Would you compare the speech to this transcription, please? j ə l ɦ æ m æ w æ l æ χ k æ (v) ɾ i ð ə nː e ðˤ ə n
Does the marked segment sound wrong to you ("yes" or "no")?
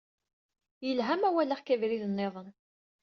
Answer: no